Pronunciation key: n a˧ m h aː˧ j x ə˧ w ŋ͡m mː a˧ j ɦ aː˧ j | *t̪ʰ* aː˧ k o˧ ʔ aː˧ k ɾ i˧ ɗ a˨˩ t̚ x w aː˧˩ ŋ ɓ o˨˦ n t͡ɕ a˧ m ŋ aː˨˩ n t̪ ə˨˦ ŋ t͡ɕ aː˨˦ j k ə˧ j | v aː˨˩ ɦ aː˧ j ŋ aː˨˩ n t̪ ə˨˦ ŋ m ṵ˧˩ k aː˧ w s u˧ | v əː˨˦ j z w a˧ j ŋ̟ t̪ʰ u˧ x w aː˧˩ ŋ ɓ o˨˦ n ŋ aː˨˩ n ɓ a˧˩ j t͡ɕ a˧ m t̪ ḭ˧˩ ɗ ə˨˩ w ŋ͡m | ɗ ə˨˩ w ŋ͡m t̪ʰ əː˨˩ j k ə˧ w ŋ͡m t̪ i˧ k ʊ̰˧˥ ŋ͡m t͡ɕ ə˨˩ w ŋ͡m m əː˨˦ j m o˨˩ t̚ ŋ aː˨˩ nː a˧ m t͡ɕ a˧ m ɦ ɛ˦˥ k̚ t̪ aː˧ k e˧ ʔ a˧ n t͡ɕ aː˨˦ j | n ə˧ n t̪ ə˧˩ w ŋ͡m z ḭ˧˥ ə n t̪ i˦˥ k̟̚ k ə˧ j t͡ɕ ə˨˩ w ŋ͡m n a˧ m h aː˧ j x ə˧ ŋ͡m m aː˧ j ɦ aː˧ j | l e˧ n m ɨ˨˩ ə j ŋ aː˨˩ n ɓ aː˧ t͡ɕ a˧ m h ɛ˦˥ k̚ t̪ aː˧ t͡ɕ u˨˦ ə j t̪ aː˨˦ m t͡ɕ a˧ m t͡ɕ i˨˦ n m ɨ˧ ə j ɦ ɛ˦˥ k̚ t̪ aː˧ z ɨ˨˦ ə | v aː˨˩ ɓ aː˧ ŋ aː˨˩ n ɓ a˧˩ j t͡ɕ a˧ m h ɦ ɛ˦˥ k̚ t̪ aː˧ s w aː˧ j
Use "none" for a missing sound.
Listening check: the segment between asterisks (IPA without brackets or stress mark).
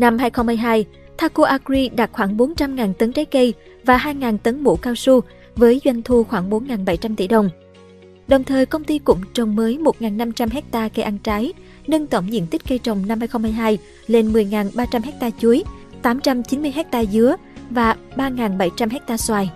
t̪ʰ